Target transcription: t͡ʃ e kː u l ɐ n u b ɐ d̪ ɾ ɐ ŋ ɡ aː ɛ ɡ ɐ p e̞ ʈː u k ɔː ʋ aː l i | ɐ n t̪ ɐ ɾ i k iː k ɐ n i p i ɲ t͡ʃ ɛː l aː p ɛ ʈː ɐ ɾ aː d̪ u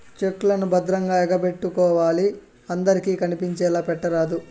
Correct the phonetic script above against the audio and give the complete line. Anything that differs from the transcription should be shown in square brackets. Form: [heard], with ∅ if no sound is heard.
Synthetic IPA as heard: t͡ʃ e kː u l ɐ n u b ɐ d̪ ɾ ɐ ŋ ɡ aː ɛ ɡ ɐ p e̞ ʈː u k ɔː ʋ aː l i | ɐ n [d̪] ɐ ɾ i k iː k ɐ n i p i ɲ t͡ʃ ɛː l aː p ɛ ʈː ɐ ɾ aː d̪ u